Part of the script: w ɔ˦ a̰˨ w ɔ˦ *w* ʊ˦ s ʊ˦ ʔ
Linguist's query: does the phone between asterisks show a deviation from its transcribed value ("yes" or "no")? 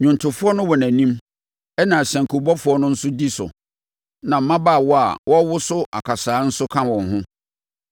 no